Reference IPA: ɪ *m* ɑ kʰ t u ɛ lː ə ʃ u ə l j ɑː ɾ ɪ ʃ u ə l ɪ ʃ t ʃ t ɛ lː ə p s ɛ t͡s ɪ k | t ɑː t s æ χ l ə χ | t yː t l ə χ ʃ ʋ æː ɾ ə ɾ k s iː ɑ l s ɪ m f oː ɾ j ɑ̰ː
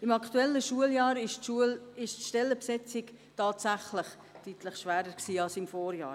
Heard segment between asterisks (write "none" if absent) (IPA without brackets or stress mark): m